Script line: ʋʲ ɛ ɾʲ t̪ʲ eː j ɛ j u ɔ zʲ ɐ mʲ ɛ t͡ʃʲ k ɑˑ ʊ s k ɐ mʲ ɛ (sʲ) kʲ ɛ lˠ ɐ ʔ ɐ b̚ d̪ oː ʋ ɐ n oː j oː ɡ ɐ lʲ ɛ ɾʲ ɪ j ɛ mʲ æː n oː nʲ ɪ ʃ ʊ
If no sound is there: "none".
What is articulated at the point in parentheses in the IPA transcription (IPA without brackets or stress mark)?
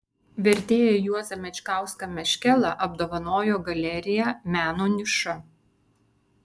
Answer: ʃʲ